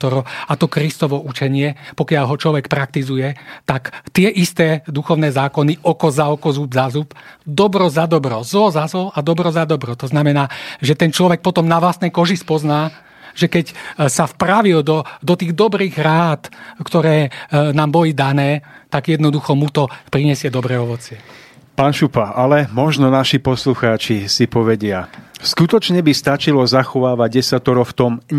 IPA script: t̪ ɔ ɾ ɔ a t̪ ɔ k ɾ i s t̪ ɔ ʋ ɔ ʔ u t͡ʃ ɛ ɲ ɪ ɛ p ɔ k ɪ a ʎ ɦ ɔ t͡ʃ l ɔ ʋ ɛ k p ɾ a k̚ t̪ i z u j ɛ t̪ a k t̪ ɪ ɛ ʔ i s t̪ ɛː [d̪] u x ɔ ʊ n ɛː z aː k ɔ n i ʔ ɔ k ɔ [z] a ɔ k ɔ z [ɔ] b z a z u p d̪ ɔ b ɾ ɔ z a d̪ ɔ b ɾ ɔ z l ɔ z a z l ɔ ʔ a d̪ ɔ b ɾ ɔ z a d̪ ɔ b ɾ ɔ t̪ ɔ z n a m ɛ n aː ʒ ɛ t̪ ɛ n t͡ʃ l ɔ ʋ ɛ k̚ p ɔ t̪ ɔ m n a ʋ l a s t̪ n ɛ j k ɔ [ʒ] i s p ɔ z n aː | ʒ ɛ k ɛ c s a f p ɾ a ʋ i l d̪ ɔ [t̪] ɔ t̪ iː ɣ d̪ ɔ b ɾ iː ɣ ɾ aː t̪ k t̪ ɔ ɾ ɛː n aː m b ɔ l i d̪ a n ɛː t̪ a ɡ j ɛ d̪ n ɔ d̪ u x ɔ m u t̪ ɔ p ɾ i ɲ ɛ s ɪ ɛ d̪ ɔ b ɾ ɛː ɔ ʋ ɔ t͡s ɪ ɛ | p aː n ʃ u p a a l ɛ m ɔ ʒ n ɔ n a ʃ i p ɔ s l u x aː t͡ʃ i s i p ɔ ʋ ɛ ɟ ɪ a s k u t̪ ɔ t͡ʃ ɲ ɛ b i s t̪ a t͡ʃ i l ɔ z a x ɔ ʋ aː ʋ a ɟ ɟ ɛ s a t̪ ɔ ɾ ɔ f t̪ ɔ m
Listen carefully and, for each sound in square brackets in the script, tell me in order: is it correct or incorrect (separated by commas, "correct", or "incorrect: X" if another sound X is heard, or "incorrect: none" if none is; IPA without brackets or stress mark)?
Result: correct, correct, incorrect: u, correct, incorrect: d̪